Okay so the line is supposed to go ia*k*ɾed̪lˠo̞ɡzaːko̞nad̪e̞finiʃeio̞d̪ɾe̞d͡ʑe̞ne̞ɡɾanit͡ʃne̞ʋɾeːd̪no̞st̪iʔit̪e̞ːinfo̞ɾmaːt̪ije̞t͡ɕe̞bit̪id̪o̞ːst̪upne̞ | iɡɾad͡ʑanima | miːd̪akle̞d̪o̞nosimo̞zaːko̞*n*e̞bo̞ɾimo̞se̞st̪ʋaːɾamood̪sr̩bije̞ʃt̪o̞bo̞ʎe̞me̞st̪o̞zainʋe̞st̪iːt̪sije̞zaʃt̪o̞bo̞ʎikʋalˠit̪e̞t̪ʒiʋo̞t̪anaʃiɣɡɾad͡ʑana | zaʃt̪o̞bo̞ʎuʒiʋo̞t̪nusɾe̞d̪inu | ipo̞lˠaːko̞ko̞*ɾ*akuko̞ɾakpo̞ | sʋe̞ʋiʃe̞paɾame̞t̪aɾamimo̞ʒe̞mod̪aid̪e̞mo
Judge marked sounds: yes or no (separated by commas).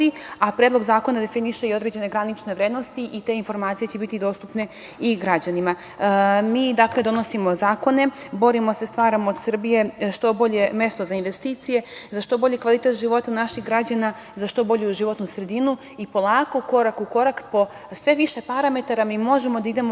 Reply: no, yes, yes